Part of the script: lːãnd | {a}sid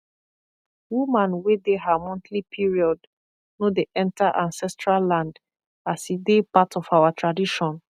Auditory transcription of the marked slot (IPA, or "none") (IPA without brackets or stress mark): a